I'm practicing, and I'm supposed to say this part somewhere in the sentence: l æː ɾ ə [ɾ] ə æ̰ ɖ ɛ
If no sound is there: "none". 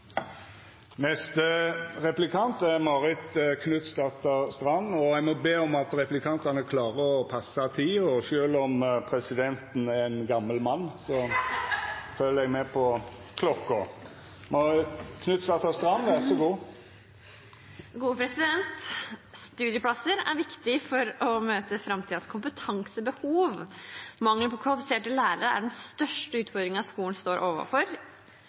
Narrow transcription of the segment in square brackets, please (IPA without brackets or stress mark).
ɾ